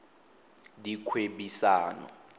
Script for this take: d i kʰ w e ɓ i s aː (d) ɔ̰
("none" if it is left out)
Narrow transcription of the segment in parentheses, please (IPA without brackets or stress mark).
n